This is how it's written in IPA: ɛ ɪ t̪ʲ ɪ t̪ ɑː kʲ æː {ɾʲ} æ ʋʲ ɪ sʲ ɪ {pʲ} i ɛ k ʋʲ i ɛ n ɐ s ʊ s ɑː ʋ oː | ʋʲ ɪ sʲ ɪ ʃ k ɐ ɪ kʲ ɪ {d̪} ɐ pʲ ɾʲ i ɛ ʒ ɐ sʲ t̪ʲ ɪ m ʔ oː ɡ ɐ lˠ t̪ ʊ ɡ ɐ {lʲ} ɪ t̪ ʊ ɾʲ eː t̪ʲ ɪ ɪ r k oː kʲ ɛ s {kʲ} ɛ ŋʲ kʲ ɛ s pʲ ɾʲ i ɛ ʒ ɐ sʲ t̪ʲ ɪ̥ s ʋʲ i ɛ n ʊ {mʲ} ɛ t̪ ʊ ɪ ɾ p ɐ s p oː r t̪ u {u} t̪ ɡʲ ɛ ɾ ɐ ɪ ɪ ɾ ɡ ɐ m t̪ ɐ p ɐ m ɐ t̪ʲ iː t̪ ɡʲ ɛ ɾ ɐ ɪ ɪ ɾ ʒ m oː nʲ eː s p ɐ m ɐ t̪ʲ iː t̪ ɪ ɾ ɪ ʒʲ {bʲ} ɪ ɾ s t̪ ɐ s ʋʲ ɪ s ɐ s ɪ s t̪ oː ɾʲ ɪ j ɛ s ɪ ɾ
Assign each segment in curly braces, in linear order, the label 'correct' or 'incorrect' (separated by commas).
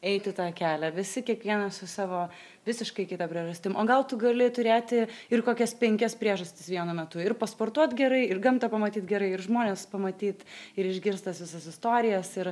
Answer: incorrect, incorrect, incorrect, correct, incorrect, correct, incorrect, incorrect